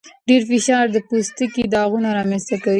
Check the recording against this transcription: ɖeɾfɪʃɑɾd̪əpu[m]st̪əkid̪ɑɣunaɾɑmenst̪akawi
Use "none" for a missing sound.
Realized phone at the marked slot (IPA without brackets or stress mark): none